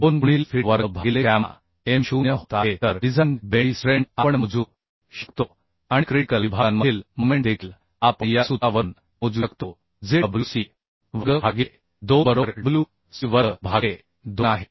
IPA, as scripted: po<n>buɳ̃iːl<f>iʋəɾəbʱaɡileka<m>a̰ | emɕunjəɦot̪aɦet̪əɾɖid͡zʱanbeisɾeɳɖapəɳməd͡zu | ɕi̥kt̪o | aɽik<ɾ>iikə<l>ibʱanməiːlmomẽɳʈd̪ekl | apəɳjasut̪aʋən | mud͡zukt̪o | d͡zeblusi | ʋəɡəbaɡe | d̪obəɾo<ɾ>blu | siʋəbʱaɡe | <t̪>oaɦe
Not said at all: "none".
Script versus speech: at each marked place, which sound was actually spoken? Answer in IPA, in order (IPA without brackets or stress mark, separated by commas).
n, f, m, ɾ, l, ɾ, d̪